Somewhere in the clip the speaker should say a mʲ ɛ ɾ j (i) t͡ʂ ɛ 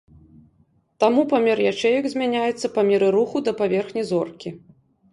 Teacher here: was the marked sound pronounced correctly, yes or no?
no